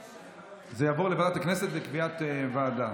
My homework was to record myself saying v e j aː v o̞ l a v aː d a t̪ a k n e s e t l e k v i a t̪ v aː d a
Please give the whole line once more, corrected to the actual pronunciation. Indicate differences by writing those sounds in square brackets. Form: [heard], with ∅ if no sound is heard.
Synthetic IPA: [z] e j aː v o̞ l [e] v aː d a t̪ a k n e s e t l e k v i a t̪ v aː d a